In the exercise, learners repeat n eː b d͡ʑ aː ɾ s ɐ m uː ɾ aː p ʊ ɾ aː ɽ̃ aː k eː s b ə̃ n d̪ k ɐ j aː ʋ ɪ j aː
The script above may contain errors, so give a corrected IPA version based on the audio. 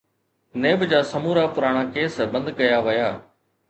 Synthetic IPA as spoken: n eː b d͡ʑ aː s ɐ m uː ɾ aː p ʊ ɾ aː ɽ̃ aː k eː s b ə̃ n d̪ k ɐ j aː ʋ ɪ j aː